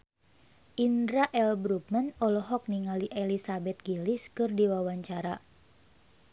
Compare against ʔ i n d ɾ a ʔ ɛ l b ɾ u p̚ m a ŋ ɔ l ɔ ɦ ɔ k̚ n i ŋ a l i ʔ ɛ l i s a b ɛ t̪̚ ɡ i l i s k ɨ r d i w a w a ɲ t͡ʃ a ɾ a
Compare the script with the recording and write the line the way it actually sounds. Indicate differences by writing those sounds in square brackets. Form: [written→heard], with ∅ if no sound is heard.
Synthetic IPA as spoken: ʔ i n d ɾ a ʔ ɛ l b ɾ u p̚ m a [ŋ→n] ɔ l ɔ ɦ ɔ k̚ n i ŋ a l i ʔ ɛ l i s a b ɛ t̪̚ ɡ i l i s k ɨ r d i w a w a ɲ t͡ʃ a ɾ a